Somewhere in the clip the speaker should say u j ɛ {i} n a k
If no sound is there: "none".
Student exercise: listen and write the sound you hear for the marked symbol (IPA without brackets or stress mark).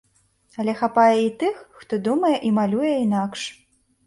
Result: i